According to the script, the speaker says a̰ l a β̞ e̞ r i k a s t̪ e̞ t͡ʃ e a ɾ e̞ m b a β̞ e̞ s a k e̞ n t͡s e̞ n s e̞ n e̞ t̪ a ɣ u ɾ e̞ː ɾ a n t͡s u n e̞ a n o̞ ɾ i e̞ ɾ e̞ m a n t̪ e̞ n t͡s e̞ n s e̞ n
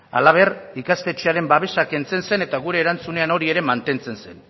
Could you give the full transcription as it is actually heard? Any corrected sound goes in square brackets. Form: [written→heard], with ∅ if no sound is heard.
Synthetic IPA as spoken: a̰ l a β̞ e̞ r i k a s t̪ e̞ t͡ʃ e a ɾ e̞ m b a β̞ e̞ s a k e̞ n t͡s e̞ n s e̞ n e̞ t̪ a ɣ u ɾ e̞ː ɾ a n t͡s u n e̞ a n o̞ ɾ i e̞ ɾ e̞ m a n t̪ e̞ n t͡s e̞ n s e̞ n